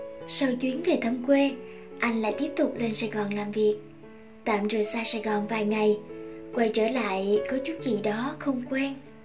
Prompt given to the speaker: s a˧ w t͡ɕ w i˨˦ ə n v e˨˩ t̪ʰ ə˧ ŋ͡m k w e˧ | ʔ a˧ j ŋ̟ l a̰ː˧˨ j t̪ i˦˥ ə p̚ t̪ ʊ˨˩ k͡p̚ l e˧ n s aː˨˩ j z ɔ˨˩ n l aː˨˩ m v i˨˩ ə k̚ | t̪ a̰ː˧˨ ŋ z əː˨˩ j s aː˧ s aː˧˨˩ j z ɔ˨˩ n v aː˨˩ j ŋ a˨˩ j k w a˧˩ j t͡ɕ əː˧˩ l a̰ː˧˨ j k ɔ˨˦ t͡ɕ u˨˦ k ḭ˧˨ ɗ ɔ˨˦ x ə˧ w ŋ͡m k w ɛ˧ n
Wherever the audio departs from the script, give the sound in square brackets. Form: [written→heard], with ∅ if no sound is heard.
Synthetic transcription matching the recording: s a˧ w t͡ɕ w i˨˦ ə n v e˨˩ t̪ʰ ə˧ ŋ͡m k w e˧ | ʔ a˧ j ŋ̟ l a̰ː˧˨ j t̪ i˦˥ ə p̚ t̪ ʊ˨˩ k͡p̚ l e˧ n s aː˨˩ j [z→ɣ] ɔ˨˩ n l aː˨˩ m v i˨˩ ə k̚ | t̪ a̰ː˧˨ [ŋ→m] z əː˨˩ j s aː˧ s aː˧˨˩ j [z→ɣ] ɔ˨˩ n v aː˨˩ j ŋ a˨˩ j k w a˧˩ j t͡ɕ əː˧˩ l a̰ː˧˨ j k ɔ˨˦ t͡ɕ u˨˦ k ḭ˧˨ ɗ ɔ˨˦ x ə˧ w ŋ͡m k w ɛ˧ n

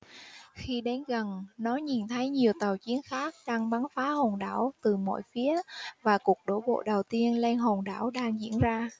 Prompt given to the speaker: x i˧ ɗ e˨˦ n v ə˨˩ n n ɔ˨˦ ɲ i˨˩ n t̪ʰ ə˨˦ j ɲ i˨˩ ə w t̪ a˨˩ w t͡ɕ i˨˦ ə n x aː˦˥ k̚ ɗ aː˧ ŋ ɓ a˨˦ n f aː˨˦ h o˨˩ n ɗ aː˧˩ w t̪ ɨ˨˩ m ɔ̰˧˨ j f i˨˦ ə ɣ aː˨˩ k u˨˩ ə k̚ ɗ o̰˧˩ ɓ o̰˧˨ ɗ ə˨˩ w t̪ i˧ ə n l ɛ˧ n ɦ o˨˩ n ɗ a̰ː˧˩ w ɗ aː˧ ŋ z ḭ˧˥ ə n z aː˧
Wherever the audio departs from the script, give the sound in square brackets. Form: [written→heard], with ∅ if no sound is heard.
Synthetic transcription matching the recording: x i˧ ɗ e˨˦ n [v→ɣ] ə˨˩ n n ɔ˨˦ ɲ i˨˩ n t̪ʰ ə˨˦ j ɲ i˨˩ ə w t̪ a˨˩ w t͡ɕ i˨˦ ə n x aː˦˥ k̚ ɗ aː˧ ŋ ɓ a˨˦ n f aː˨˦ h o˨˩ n ɗ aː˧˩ w t̪ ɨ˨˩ m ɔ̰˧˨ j f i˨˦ ə [ɣ→v] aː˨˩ k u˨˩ ə k̚ ɗ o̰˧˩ ɓ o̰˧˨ ɗ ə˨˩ w t̪ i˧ ə n l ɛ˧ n ɦ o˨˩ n ɗ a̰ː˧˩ w ɗ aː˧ ŋ z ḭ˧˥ ə n z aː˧

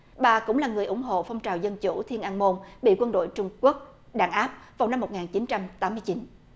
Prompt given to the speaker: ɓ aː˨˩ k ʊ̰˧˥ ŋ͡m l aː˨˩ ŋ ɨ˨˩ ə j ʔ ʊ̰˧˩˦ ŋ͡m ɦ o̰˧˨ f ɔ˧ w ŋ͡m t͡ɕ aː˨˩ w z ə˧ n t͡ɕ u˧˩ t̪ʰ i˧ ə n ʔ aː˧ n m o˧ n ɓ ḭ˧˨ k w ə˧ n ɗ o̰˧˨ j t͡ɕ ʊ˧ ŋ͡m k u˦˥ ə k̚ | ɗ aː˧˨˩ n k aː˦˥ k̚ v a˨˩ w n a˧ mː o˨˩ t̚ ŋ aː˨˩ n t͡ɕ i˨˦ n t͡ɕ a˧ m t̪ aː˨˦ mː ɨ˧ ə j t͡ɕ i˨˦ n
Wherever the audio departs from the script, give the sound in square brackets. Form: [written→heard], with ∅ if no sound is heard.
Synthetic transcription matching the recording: ɓ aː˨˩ k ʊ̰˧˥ ŋ͡m l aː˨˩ ŋ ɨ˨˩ ə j ʔ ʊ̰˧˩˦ ŋ͡m ɦ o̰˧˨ f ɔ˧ w ŋ͡m t͡ɕ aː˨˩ w z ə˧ n t͡ɕ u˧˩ t̪ʰ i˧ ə n ʔ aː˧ n m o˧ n ɓ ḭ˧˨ k w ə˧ n ɗ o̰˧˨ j t͡ɕ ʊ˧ ŋ͡m k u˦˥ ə k̚ | ɗ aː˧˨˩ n [k→ʔ] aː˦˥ [k̚→p̚] v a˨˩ w n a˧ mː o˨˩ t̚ ŋ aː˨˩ n t͡ɕ i˨˦ n t͡ɕ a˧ m t̪ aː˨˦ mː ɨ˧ ə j t͡ɕ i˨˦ n

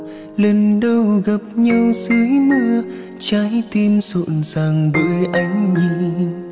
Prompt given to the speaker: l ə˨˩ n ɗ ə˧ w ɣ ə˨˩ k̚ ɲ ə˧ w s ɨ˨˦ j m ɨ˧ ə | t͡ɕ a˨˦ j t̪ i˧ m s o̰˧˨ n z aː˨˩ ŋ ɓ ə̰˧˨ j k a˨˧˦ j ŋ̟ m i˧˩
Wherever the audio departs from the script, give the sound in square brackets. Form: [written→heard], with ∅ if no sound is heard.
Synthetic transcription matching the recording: l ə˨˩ n ɗ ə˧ w ɣ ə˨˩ [k̚→p̚] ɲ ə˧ w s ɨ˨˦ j m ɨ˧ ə | t͡ɕ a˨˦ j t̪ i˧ m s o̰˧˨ n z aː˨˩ ŋ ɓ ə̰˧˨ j [k→ʔ] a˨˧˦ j ŋ̟ [m→ɲ] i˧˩

